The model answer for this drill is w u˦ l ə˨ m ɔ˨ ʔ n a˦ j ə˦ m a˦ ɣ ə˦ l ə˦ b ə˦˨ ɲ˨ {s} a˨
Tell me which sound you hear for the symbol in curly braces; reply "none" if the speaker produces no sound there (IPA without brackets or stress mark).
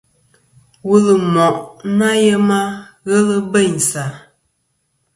s